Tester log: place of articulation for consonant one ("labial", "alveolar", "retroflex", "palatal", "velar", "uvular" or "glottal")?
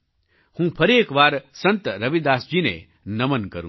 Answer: glottal